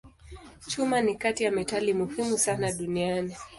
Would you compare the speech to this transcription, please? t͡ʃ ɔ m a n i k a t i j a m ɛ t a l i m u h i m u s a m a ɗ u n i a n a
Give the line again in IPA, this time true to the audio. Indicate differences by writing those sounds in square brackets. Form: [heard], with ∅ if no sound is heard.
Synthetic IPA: t͡ʃ [u] m a n i k a t i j a m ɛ t a l i m u h i m u s a [n] a ɗ u n i a n [i]